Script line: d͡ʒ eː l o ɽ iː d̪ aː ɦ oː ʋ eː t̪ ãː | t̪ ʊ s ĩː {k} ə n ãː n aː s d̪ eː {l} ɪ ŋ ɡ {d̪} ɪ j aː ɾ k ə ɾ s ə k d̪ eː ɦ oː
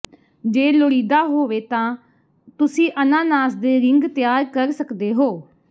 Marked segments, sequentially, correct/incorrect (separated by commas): incorrect, incorrect, incorrect